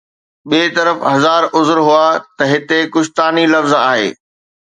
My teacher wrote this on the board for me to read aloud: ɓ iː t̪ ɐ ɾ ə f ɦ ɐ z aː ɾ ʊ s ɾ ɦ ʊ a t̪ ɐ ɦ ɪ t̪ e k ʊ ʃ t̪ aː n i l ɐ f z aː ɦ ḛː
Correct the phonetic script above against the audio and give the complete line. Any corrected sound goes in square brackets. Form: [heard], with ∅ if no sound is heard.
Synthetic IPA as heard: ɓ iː t̪ ɐ ɾ ə f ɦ ɐ z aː ɾ ʊ [z] ɾ ɦ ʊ a t̪ ɐ ɦ ɪ t̪ e k ʊ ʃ t̪ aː n i l ɐ f z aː ɦ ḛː